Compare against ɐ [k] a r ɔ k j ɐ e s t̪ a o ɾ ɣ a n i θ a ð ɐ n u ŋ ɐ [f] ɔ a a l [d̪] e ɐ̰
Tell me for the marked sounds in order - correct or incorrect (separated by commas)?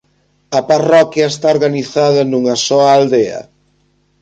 incorrect, incorrect, correct